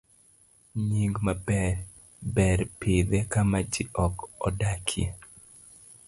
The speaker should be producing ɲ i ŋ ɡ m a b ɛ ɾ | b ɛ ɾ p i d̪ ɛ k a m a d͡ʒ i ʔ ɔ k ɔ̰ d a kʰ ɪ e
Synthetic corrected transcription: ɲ i ŋ ɡ m a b ɛ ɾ | b ɛ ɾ p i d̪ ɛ k a m a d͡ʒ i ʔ ɔ k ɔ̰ d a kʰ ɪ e